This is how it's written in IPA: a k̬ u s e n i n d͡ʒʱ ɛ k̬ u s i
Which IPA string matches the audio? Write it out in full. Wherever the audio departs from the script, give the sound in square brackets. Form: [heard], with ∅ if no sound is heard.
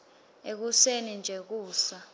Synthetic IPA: [e] k̬ u s e n i n d͡ʒʱ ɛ k̬ [uː] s [a]